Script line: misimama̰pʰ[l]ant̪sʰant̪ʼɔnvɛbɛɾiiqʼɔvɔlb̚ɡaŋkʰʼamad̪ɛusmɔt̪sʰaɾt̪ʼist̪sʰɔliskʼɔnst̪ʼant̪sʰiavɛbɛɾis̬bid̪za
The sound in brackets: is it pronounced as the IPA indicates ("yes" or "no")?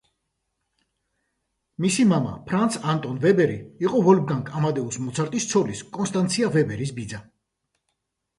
no